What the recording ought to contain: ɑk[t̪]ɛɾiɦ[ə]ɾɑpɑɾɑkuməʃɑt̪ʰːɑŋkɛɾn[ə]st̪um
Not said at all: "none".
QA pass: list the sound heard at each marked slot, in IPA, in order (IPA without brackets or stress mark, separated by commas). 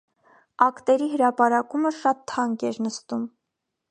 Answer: t̪, ə, ə